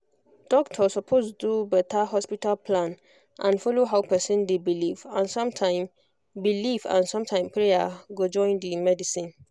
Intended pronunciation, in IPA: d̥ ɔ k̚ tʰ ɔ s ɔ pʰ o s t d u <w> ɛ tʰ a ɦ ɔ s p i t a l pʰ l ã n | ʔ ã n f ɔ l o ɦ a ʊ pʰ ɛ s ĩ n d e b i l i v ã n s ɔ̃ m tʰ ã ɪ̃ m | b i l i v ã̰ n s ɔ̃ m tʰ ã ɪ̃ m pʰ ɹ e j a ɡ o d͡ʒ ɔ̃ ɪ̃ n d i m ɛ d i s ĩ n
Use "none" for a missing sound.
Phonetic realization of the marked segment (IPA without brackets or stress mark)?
b